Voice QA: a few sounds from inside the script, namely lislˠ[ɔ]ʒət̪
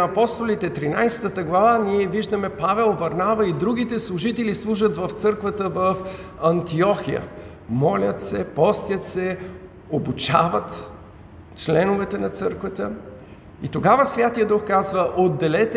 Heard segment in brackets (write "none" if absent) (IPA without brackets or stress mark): u